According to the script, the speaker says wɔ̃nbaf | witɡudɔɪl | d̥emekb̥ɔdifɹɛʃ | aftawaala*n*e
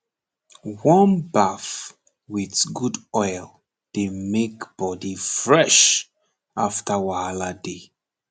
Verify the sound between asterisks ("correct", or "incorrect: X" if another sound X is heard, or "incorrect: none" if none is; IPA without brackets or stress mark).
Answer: incorrect: d